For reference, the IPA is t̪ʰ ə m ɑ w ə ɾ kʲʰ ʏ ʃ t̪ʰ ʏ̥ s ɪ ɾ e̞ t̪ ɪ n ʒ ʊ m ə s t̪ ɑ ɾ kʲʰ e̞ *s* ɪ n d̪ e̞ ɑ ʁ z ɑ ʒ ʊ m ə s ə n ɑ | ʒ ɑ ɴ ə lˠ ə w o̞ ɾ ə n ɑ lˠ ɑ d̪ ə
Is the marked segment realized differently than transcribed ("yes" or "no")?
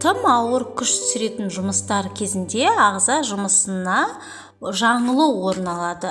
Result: yes